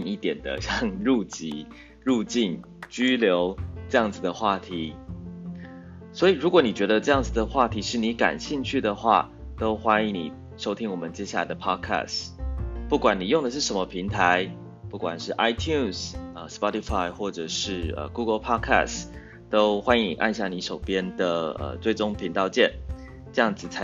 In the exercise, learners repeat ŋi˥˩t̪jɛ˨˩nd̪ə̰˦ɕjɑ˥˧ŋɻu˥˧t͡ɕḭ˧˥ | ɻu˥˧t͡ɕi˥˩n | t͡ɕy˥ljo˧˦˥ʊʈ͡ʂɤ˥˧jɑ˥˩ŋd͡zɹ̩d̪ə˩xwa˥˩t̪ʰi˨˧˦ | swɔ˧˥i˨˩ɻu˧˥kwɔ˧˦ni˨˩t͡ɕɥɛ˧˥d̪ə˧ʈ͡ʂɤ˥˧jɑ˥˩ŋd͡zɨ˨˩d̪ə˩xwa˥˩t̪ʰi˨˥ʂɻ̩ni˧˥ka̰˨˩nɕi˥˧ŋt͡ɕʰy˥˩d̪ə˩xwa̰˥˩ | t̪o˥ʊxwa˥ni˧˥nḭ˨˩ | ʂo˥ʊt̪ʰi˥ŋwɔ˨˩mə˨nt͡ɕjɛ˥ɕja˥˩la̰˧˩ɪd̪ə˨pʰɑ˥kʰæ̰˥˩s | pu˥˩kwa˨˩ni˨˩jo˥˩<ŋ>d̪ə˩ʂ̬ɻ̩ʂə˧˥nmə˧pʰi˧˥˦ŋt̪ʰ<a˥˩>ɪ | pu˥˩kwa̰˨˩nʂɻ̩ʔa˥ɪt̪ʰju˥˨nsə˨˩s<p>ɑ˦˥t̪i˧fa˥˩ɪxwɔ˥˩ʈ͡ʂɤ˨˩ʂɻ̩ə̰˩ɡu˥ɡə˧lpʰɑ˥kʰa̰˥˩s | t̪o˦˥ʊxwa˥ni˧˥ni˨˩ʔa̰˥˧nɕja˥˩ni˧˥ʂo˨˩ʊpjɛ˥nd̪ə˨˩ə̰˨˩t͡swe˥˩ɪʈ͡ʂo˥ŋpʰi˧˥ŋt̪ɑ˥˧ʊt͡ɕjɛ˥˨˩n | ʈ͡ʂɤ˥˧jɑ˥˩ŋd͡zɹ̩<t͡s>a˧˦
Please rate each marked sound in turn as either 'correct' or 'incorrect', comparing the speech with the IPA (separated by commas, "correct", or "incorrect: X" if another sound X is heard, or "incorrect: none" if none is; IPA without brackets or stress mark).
correct, incorrect: a˧˦, correct, incorrect: t͡sʰ